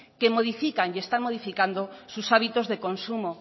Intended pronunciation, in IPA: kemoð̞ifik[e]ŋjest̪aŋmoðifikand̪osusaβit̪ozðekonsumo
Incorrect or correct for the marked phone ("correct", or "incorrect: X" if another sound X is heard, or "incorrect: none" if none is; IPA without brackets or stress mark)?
incorrect: a